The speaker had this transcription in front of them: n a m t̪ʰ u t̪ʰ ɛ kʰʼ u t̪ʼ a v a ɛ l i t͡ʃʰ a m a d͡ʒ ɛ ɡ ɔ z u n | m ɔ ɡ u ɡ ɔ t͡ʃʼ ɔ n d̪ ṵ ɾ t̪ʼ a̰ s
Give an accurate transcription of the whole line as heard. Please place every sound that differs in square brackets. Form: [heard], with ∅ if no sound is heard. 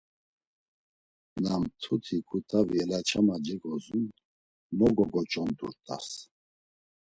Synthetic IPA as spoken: n a m t̪ʰ u t̪ʰ [i] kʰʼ u t̪ʼ a v [i] ɛ l [a] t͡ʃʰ a m a d͡ʒ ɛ ɡ ɔ z u n | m ɔ ɡ [ɔ] ɡ ɔ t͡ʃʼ ɔ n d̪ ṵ ɾ t̪ʼ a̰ s